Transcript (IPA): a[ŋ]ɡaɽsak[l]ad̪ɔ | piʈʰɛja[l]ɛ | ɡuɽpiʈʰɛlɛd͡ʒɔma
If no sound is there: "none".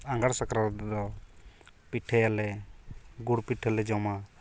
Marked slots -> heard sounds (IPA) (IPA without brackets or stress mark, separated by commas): ŋ, ɾ, l